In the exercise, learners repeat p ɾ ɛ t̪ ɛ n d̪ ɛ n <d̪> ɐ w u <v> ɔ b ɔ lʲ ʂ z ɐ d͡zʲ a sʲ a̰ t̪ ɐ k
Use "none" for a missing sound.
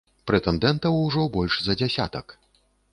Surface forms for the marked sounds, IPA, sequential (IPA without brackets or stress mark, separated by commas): t̪, ʐ